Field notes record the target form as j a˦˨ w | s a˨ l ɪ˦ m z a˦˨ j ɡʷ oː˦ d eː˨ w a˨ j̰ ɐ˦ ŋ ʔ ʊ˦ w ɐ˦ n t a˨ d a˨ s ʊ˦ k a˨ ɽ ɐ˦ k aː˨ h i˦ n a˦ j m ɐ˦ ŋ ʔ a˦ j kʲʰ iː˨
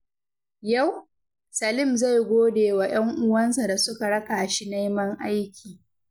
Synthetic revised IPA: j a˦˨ w | s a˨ l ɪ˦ m z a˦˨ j ɡʷ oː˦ d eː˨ w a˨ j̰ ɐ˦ ŋ ʔ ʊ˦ w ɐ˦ n s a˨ d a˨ s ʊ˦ k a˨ ɽ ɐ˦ k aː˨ ʃ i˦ n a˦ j m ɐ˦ ŋ ʔ a˦ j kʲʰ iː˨